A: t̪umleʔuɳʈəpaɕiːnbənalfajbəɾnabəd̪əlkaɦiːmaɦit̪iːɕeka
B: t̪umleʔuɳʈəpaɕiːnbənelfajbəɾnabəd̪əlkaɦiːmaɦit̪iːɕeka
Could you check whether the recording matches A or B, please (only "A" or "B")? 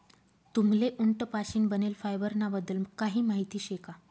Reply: B